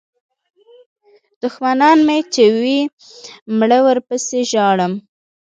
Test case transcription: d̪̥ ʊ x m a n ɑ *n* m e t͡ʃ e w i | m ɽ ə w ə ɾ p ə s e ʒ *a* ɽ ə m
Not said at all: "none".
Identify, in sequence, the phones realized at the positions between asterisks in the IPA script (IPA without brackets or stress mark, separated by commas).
n, ɑ